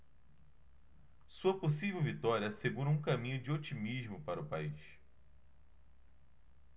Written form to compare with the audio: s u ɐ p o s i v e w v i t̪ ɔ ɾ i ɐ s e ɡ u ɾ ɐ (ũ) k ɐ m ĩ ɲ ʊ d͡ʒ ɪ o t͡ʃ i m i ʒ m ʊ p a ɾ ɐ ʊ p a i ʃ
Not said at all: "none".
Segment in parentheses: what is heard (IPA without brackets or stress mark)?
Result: ũ